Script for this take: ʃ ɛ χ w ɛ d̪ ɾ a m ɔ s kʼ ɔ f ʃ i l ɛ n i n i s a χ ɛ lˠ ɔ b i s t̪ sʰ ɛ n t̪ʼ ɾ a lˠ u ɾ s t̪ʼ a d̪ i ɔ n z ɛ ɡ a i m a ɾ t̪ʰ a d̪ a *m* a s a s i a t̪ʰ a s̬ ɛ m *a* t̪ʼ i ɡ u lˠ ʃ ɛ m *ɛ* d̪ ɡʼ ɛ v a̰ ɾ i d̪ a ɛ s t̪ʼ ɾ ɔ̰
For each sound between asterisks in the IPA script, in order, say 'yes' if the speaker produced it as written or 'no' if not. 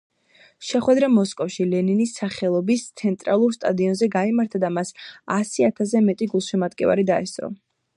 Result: yes, no, no

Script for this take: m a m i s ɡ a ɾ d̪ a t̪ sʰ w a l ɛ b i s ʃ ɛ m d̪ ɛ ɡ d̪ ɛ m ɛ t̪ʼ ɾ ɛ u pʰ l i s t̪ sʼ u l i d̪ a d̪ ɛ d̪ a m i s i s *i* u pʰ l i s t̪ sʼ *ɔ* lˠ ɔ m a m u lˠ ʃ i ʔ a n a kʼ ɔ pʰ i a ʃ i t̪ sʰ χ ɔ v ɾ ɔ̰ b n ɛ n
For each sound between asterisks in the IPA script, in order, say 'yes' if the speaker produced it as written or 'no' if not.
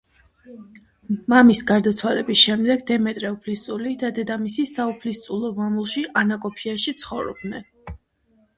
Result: no, no

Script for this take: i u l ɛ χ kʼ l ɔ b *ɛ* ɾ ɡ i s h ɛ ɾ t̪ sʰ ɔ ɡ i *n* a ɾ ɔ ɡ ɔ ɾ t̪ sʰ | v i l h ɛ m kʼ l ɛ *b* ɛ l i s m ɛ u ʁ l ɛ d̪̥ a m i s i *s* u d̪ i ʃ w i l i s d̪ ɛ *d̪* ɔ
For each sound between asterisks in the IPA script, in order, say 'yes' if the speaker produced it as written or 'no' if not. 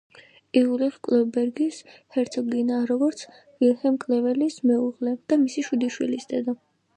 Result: yes, yes, no, no, yes

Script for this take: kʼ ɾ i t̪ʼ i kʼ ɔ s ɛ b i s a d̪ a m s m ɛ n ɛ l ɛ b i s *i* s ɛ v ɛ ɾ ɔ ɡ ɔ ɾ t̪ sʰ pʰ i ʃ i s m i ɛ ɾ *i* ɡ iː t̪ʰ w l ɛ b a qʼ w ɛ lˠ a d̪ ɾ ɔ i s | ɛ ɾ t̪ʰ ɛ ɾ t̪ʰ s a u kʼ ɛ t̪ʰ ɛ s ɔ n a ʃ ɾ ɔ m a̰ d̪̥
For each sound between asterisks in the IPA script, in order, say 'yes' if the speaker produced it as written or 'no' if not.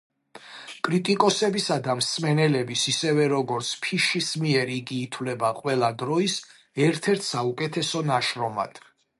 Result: yes, yes

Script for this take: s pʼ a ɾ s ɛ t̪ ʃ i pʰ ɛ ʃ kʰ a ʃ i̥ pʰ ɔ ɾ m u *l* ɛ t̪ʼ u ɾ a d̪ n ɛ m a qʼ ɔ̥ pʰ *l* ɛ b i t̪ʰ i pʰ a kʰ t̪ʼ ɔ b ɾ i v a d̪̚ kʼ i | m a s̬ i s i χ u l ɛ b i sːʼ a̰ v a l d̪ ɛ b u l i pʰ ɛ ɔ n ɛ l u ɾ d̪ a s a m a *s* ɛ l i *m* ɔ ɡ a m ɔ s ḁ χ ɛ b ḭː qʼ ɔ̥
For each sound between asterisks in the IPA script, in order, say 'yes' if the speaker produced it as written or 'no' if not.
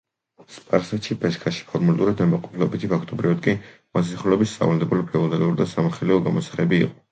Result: yes, yes, no, no

